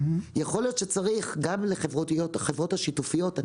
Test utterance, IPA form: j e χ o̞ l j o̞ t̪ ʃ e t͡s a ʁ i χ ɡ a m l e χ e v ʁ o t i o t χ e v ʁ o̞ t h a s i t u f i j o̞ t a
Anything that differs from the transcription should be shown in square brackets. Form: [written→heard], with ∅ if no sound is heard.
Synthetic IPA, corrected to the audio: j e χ o̞ l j o̞ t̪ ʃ e t͡s a ʁ i χ ɡ a m l e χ e v ʁ o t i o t χ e v ʁ o̞ t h a [s→ʃ] i t u f i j o̞ t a